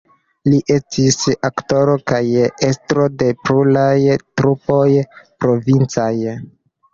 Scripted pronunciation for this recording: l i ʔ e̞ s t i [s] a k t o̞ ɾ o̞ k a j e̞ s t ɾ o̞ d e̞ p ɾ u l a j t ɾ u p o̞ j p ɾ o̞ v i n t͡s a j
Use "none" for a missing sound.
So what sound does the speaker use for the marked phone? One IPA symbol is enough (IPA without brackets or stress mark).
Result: s